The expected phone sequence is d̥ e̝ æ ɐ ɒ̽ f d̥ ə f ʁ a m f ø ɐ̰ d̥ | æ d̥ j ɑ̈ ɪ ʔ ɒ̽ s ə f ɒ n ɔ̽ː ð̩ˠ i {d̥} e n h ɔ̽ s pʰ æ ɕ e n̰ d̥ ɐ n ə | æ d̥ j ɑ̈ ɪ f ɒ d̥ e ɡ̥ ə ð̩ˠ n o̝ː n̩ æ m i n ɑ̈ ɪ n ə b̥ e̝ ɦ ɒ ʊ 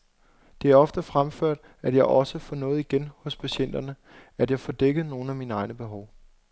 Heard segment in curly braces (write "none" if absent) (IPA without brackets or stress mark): ɡ̥